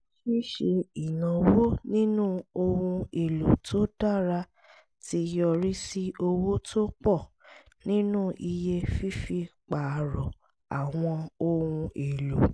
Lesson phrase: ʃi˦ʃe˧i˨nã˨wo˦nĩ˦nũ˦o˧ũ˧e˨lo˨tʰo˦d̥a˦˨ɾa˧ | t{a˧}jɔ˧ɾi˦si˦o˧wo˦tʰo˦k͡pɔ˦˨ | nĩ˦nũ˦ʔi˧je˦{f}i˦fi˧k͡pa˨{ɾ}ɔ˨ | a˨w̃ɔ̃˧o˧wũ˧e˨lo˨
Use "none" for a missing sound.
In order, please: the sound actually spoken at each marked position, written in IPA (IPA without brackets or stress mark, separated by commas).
i˧, f, ɾ